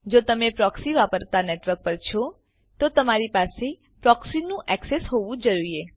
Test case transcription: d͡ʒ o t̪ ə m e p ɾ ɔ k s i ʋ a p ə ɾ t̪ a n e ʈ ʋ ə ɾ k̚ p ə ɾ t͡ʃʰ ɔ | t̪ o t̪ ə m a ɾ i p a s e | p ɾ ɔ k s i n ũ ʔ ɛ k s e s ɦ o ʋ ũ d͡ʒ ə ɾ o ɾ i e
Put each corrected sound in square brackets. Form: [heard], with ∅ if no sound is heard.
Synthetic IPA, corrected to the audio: d͡ʒ o t̪ ə m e p ɾ ɔ k s i ʋ a p ə ɾ t̪ a n e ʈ ʋ ə ɾ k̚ p ə ɾ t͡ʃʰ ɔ | t̪ o t̪ ə m a ɾ i p a s e | p ɾ ɔ k s i n ũ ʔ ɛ k s e s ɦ o ʋ ũ d͡ʒ ə ɾ [u] ɾ i e